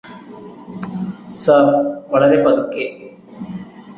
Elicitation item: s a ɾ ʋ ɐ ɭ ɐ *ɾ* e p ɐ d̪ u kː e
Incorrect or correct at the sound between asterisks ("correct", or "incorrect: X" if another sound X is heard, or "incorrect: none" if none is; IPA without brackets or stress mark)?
correct